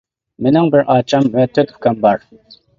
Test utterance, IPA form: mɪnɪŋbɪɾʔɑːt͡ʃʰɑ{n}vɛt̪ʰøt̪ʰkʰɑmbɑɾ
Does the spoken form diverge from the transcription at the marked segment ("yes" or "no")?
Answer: yes